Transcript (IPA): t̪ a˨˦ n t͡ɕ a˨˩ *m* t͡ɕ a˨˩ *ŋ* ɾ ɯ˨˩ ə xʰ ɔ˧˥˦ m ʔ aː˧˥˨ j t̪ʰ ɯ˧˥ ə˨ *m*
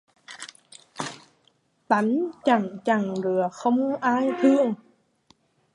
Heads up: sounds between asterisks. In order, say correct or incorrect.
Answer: incorrect: ŋ, correct, incorrect: ŋ

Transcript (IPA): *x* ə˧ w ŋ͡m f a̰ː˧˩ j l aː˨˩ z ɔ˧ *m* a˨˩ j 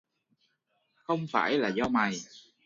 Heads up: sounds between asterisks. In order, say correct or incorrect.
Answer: correct, correct

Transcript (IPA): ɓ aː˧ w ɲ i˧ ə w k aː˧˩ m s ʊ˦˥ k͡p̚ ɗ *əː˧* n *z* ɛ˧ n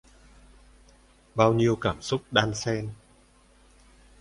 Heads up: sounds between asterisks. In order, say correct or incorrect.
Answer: incorrect: aː˧, incorrect: s

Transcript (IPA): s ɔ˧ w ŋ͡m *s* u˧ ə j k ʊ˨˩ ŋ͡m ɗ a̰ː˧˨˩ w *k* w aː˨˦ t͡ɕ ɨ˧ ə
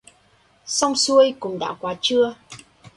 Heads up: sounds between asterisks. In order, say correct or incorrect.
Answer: correct, correct

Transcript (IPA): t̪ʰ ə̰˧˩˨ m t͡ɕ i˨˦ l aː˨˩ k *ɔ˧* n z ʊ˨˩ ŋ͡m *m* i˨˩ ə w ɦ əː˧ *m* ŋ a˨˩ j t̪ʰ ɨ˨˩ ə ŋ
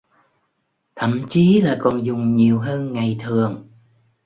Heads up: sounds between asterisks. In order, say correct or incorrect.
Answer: incorrect: ɔ˨˩, incorrect: ɲ, incorrect: n

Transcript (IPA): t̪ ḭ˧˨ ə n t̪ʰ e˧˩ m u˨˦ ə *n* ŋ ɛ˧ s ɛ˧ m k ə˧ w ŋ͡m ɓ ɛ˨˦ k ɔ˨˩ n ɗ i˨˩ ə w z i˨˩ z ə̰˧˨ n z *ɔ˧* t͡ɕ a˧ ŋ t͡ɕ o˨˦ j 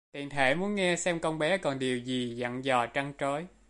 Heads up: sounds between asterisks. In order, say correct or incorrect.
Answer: correct, incorrect: ɔ˨˩

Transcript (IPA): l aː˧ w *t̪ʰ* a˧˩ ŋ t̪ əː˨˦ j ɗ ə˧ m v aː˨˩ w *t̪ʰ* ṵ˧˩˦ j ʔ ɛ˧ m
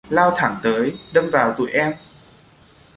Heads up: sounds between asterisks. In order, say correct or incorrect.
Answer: correct, incorrect: t̪

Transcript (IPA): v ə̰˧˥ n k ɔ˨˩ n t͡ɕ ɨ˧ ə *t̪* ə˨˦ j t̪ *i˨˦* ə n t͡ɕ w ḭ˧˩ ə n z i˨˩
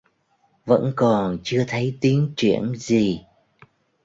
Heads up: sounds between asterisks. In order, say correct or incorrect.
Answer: incorrect: t̪ʰ, correct

